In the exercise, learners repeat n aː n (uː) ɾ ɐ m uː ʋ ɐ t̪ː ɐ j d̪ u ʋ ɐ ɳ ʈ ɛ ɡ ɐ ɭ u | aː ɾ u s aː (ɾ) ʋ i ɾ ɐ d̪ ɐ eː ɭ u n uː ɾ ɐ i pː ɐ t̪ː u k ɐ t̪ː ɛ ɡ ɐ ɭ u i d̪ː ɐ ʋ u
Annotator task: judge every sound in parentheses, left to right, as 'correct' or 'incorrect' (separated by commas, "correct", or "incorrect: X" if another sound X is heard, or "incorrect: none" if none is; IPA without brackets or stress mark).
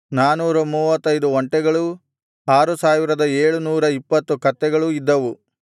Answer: correct, incorrect: none